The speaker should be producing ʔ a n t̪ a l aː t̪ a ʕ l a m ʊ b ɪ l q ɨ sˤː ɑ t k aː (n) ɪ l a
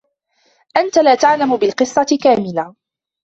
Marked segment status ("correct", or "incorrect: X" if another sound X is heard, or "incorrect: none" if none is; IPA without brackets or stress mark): incorrect: m